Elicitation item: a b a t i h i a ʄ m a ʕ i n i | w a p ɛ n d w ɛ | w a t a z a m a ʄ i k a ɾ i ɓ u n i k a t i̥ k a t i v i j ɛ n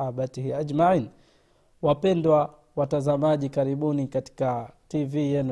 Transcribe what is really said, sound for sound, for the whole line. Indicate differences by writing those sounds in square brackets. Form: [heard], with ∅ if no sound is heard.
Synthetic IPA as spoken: a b a t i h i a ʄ m a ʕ i n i | w a p ɛ n d w [a] | w a t a z a m a ʄ i k a ɾ i ɓ u n i k a t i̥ k a t i v i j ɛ n